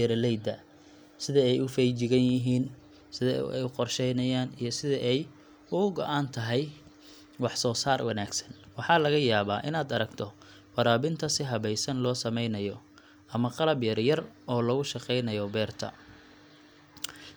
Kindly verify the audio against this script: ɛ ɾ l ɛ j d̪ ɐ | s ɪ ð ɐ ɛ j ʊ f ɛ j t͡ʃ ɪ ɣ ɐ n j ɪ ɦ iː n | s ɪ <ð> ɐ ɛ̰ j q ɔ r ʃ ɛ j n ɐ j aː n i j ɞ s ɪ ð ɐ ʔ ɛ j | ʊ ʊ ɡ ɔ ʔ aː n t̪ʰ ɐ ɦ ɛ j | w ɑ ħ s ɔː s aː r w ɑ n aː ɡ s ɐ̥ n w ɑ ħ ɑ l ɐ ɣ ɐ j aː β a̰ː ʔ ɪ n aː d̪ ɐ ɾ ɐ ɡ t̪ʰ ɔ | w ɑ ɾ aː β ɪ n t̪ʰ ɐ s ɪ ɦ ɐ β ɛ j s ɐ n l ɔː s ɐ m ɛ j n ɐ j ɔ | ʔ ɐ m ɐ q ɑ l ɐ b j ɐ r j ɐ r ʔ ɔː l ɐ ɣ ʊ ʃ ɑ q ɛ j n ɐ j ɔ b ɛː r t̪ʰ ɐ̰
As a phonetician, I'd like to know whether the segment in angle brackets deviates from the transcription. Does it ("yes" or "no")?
no